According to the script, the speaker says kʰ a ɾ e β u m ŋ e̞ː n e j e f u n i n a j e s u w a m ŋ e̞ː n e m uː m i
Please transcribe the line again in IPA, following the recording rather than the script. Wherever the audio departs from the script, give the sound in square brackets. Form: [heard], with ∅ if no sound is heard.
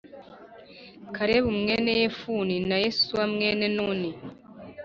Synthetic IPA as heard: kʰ a ɾ e β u m ŋ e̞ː n e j e f u n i n a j e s u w a m ŋ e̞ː n e [n] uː [n] i